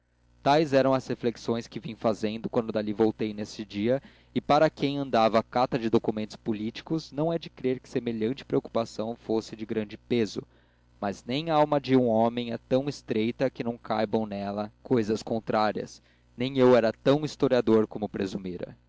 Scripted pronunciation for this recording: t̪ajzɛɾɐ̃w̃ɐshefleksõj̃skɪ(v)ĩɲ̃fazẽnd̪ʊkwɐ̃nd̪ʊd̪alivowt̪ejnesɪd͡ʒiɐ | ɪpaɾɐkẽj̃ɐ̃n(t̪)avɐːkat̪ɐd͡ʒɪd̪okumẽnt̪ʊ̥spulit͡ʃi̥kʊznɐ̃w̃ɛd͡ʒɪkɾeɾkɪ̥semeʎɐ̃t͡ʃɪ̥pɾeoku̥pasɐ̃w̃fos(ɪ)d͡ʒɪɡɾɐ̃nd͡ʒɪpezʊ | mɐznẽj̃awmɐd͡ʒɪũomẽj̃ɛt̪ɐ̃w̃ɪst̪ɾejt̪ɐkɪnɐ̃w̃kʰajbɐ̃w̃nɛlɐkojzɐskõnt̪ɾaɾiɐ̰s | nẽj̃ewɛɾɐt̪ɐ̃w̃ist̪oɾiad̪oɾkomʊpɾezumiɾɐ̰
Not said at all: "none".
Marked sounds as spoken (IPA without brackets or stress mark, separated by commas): v, d̪, ɪ